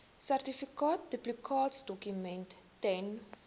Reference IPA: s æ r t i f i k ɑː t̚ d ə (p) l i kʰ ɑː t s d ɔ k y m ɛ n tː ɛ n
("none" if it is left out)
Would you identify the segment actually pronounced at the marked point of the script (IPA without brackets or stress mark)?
p